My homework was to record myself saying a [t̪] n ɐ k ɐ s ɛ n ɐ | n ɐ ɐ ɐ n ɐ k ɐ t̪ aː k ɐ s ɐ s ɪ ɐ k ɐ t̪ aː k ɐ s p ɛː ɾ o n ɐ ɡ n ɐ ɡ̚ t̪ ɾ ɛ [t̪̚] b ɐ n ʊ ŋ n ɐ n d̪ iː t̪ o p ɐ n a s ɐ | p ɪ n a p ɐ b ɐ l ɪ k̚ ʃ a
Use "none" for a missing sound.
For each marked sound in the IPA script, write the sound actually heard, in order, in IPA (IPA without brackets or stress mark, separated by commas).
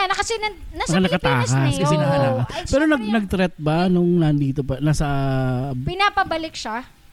none, t̪̚